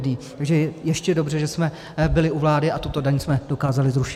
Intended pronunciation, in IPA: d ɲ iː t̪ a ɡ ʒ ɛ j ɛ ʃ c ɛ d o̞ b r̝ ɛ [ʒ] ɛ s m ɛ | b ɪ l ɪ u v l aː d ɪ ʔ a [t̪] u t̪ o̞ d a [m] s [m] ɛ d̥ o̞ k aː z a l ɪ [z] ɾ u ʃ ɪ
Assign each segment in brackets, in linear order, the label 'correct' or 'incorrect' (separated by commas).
correct, correct, incorrect, correct, correct